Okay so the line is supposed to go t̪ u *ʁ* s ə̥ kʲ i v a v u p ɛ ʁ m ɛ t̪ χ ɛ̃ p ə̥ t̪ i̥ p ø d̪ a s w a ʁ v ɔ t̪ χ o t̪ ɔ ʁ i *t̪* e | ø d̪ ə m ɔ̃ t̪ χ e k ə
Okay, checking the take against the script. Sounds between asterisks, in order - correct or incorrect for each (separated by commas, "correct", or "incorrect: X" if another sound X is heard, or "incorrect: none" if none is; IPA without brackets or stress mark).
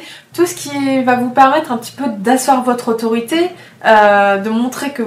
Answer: incorrect: none, correct